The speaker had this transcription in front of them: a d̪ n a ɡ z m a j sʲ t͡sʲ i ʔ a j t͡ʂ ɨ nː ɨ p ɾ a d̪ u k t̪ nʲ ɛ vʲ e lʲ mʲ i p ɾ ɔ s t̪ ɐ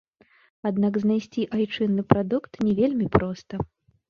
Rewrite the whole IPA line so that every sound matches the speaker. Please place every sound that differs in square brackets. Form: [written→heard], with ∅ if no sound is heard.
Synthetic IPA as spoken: a d̪ n a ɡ z [m→n] a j sʲ t͡sʲ i ʔ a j t͡ʂ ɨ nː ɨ p ɾ a d̪ u k t̪ nʲ ɛ vʲ e lʲ mʲ i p ɾ ɔ s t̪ ɐ